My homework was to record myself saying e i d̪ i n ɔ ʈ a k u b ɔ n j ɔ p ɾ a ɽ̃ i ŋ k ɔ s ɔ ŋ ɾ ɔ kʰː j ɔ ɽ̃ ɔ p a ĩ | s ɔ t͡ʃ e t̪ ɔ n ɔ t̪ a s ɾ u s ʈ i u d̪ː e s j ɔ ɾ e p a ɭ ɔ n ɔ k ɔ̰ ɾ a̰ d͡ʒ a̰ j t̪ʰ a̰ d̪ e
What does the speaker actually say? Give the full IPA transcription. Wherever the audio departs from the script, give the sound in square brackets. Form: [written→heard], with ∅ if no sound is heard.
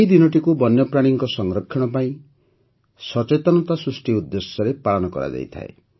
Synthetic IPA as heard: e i d̪ i n ɔ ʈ [a→i] k u b ɔ n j ɔ p ɾ a ɽ̃ i ŋ k ɔ s ɔ ŋ ɾ ɔ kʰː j ɔ ɽ̃ ɔ p a ĩ | s ɔ t͡ʃ e t̪ ɔ n ɔ t̪ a s ɾ u s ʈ i u d̪ː e s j ɔ ɾ e p a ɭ ɔ n ɔ k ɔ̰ ɾ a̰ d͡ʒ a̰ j t̪ʰ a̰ [d̪→∅] e